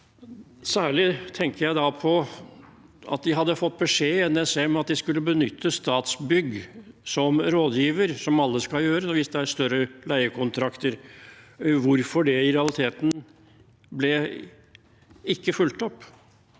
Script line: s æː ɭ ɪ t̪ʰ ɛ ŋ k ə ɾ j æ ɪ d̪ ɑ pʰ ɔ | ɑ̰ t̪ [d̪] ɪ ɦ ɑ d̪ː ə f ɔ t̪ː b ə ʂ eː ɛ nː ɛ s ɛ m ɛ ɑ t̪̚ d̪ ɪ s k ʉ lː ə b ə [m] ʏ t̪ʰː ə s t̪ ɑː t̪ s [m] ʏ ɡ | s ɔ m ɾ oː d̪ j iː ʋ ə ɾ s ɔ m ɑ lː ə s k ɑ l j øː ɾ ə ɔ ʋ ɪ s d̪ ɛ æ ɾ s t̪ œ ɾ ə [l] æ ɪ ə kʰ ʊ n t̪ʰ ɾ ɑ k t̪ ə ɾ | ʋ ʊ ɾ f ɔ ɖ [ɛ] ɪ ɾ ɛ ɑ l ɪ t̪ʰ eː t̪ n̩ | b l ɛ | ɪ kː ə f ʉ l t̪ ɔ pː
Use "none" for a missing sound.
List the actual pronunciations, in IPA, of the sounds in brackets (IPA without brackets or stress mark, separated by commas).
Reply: d̪, n, b, l, ɛ